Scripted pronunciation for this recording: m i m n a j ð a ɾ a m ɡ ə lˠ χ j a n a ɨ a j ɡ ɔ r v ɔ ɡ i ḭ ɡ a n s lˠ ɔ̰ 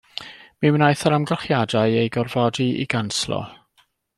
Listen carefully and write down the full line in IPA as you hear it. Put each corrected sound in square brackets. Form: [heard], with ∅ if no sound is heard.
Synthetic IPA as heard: m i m n a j [θ] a ɾ a m ɡ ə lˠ χ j a [d] a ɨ [e] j ɡ ɔ r v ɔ [d] i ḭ ɡ a n s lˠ ɔ̰